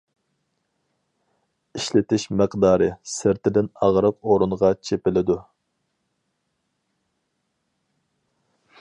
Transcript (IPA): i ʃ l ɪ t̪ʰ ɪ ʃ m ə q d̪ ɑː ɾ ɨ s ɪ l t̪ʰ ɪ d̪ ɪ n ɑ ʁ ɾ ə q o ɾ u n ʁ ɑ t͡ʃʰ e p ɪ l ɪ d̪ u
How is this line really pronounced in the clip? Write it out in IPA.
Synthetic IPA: i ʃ l ɪ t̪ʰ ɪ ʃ m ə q d̪ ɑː ɾ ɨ s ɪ ɾ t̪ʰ ɪ d̪ ɪ n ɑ ʁ ɾ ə q o ɾ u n ʁ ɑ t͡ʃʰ e p ɪ l ɪ d̪ u